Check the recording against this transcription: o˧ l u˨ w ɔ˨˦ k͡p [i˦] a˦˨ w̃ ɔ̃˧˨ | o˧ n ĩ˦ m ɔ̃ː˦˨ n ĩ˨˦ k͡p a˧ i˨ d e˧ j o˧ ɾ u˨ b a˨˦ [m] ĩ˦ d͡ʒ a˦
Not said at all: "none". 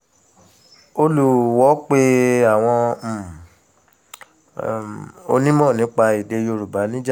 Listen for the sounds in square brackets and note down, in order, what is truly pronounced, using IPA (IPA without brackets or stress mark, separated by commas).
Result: e˦, n